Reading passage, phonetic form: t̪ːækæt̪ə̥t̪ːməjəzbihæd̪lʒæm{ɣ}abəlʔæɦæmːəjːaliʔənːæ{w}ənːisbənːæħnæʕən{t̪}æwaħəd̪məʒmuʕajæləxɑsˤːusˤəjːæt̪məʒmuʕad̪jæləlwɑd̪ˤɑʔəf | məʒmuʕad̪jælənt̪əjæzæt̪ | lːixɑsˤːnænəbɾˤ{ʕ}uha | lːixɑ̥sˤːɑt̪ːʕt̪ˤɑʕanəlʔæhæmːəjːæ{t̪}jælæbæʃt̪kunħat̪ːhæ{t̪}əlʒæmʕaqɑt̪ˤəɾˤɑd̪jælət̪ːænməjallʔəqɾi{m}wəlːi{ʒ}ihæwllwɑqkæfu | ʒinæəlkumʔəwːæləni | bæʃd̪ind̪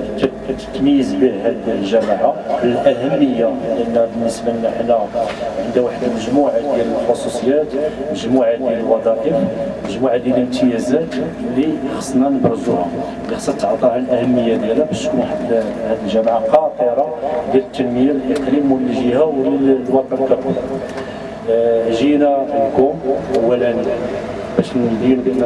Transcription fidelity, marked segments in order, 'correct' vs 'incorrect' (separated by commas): incorrect, incorrect, incorrect, incorrect, incorrect, incorrect, correct, correct